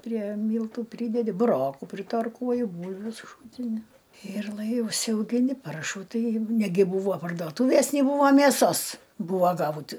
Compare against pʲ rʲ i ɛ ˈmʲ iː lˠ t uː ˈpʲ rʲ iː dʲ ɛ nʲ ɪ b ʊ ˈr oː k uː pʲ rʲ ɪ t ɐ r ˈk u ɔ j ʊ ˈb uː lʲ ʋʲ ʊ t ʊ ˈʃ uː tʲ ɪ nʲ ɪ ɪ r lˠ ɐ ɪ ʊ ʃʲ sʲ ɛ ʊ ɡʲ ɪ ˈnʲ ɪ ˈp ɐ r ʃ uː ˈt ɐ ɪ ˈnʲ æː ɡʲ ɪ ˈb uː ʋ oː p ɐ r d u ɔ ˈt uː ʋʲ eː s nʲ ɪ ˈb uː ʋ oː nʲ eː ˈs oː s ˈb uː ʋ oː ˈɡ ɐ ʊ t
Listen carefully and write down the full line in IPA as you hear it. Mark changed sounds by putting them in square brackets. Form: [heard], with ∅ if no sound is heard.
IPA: pʲ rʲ i ɛ ˈmʲ iː lˠ t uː ˈpʲ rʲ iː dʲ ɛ [dʲ] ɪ b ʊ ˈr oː k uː pʲ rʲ ɪ t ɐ r ˈk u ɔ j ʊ ˈb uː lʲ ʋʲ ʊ [s] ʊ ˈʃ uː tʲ ɪ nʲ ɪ ɪ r lˠ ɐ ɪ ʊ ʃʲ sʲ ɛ ʊ ɡʲ ɪ ˈnʲ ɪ ˈp ɐ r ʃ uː ˈt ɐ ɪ ˈnʲ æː ɡʲ ɪ ˈb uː ʋ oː p ɐ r d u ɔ ˈt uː ʋʲ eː s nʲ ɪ ˈb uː ʋ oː [mʲ] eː ˈs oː s ˈb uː ʋ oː ˈɡ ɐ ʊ t